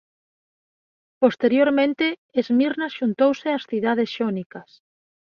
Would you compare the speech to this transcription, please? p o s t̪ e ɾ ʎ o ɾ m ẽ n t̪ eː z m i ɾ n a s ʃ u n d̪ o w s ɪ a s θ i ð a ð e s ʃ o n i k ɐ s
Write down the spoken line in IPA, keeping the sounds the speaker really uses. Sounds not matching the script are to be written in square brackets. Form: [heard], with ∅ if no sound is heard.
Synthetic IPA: p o s t̪ e ɾ [j] o ɾ m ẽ n t̪ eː z m i ɾ n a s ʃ u n [t̪] o w s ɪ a s θ i ð a ð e s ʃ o n i k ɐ s